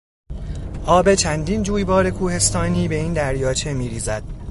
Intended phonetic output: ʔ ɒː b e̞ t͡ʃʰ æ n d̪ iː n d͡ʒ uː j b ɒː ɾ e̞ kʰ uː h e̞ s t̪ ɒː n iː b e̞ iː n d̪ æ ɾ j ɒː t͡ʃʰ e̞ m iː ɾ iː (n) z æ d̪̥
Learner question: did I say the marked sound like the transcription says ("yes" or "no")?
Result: no